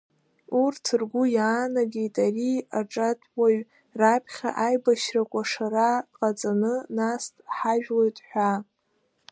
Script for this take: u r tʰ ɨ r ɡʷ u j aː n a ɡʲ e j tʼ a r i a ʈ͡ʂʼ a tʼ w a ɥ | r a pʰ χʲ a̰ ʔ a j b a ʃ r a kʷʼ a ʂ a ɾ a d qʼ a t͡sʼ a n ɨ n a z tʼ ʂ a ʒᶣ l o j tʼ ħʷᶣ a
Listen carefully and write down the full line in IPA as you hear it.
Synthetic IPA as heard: u r tʰ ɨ r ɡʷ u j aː n a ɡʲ e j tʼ a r i a ʈ͡ʂʼ a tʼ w a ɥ | r a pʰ χʲ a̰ ʔ a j b a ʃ r a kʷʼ a ʂ a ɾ a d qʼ a t͡sʼ a n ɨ n a s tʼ ħ a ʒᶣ l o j tʼ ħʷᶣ a